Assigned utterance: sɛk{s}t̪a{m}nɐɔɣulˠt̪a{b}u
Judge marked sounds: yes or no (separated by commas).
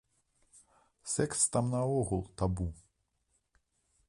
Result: yes, yes, yes